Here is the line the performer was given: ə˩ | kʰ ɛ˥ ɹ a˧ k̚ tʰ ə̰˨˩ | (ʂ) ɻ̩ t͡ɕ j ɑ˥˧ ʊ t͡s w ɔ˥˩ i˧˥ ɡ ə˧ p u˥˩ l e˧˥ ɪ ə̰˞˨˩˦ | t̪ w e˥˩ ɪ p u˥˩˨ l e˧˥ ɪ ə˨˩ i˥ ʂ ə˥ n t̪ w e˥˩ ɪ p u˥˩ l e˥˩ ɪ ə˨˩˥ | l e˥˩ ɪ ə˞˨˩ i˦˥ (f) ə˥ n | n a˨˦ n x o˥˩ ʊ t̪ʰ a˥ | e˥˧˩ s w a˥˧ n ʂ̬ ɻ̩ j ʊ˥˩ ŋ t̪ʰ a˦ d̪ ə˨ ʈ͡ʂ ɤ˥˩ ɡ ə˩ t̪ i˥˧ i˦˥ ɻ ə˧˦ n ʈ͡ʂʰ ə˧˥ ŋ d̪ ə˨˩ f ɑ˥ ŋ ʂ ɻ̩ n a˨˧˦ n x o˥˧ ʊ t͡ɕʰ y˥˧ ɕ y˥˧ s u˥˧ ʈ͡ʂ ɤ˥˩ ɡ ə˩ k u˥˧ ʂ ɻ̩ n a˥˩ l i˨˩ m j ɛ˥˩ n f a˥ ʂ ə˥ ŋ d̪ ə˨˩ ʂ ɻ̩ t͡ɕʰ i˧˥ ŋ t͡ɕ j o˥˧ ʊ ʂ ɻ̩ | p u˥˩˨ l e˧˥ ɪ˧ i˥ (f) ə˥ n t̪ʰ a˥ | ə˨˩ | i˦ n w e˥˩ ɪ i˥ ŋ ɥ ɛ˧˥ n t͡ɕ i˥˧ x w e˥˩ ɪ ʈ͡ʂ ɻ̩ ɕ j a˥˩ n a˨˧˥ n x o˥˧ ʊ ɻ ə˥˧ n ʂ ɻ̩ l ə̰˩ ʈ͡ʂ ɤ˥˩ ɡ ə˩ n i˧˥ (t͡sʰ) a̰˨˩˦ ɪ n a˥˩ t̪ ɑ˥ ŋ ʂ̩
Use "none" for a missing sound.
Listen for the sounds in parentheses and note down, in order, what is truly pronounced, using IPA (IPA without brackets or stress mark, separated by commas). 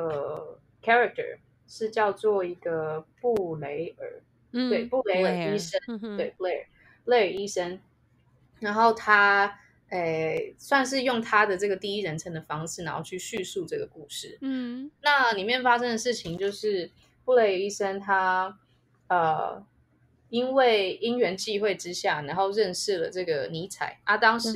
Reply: ʂ, ʂ, ʂ, t͡sʰ